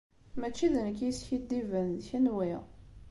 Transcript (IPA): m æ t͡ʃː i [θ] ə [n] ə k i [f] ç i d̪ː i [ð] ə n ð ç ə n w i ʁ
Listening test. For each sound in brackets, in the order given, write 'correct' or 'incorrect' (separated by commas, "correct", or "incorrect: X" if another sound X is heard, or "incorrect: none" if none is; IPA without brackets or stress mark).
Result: incorrect: ð, correct, incorrect: s, incorrect: v